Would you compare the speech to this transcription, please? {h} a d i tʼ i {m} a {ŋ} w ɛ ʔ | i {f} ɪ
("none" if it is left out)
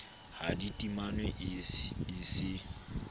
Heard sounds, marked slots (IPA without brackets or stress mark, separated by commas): h, m, n, s